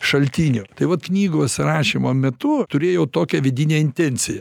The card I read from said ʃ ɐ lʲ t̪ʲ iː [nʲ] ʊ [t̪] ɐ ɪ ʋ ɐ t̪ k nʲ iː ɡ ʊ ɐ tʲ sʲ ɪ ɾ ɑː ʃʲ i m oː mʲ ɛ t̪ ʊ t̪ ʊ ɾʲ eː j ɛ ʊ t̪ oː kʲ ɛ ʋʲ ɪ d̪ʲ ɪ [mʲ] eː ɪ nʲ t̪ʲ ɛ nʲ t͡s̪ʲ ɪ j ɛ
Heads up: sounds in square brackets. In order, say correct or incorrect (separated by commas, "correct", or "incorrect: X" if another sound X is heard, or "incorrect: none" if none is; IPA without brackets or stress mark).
correct, correct, incorrect: nʲ